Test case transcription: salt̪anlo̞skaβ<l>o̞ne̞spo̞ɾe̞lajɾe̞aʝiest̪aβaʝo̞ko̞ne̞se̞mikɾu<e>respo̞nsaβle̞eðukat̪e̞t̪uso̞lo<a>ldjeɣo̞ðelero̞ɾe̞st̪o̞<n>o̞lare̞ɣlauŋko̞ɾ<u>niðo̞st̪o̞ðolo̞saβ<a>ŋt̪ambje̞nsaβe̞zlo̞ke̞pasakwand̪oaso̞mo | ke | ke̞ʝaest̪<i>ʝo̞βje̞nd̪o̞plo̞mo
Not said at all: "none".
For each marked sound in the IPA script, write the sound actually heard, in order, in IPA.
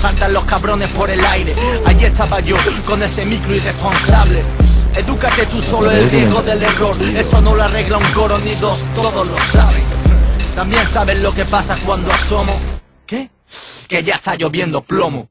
ɾ, i, e, n, o, e, a

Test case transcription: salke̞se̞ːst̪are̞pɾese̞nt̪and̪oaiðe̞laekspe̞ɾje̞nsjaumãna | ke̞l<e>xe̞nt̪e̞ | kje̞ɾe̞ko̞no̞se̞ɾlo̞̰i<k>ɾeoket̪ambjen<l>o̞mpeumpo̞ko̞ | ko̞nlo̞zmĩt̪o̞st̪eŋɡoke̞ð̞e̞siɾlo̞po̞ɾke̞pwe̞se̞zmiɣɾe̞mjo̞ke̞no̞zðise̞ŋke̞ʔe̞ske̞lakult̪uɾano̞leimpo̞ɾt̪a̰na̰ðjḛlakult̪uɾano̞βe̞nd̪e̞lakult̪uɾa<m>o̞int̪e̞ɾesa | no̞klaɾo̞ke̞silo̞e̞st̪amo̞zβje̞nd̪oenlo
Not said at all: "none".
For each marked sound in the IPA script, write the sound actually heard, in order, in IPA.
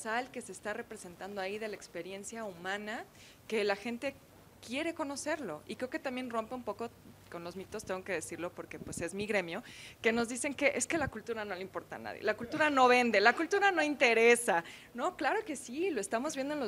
a, k, r, n

